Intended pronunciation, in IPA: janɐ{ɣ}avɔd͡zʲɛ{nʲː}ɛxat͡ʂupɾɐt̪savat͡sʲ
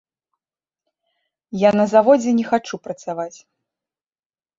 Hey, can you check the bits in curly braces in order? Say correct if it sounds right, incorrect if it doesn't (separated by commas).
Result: incorrect, incorrect